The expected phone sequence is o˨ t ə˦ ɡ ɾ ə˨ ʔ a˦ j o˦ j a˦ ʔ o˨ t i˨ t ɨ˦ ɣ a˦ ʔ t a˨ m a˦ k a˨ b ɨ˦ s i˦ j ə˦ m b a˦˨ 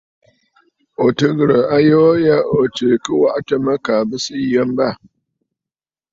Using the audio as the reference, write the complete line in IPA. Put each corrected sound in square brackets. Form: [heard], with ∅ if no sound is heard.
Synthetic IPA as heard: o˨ t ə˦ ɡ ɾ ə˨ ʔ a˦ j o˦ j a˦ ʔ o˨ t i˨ [k] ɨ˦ [w] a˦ ʔ t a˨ m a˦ k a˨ b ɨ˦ s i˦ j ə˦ m b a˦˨